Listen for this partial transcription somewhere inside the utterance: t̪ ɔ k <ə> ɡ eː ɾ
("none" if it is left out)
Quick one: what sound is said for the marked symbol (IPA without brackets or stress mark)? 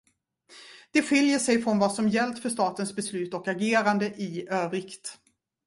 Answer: a